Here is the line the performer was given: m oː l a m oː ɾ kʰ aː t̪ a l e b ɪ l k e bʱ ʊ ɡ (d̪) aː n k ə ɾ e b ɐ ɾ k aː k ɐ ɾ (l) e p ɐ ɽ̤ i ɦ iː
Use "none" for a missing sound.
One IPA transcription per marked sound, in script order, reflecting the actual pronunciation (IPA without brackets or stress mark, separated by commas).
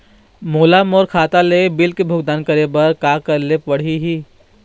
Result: d̪, l